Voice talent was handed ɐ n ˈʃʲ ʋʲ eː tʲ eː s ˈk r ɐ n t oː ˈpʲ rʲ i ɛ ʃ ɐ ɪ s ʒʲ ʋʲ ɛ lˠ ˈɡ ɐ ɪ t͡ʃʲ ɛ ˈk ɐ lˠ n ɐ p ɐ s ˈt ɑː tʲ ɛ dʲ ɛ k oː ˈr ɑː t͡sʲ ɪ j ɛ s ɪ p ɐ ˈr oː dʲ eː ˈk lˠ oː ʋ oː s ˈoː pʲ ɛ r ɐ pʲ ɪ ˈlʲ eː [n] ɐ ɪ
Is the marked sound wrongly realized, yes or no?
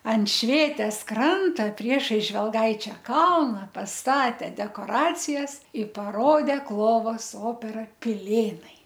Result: no